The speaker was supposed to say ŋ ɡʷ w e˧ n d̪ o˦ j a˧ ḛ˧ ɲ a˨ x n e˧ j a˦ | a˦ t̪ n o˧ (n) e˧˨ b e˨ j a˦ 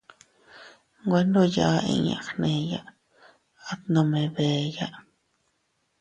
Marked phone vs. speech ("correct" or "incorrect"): incorrect